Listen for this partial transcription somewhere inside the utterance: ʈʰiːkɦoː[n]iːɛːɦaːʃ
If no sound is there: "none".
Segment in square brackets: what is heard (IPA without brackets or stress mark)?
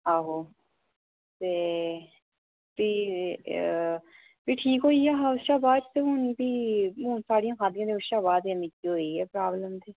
none